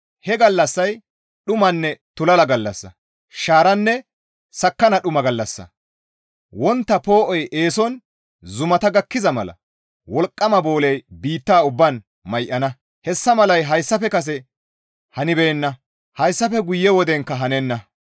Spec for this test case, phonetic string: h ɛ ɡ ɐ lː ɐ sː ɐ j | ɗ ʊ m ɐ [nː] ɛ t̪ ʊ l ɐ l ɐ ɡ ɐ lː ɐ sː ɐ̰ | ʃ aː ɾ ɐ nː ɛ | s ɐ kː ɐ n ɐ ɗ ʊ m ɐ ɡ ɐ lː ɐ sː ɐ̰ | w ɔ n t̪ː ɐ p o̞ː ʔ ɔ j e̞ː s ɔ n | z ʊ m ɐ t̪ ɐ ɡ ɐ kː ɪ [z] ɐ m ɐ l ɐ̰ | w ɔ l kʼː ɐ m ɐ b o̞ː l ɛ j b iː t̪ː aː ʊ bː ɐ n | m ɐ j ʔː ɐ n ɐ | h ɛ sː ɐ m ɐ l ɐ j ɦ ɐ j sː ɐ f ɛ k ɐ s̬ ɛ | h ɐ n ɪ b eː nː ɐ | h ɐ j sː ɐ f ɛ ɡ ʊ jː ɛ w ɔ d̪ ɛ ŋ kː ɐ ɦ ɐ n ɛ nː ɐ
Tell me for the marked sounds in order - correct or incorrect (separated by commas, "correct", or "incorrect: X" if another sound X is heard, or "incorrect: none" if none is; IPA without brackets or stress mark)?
correct, correct